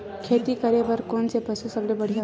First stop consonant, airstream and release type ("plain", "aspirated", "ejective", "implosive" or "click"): aspirated